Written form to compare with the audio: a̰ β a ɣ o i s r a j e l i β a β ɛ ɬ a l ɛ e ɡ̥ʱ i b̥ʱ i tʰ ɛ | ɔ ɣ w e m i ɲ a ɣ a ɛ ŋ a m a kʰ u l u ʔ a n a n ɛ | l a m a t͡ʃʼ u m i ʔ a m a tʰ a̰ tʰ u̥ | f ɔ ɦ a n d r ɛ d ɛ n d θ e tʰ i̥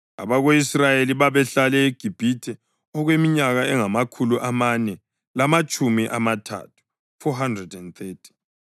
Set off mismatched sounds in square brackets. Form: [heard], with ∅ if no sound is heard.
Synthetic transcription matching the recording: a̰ β a ɣ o i s r a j e l i β a β ɛ ɬ a l ɛ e ɡ̥ʱ i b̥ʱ i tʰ ɛ | ɔ ɣ w e m i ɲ a ɣ a ɛ ŋ a m a kʰ u l u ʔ a [m] a n ɛ | l a m a t͡ʃʼ u m i ʔ a m a tʰ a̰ tʰ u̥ | f ɔ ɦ a n d r ɛ d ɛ n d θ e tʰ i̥